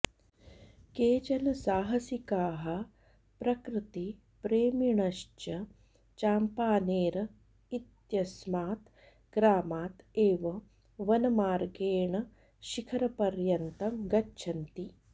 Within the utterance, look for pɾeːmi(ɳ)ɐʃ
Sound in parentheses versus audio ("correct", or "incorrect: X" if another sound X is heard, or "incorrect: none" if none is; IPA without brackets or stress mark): correct